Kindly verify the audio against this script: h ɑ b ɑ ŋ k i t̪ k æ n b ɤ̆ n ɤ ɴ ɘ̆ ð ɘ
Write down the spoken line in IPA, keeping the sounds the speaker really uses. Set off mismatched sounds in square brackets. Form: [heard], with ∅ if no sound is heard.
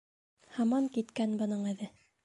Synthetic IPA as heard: h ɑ [m] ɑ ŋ k i t̪ k æ n b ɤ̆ n ɤ ɴ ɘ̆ ð ɘ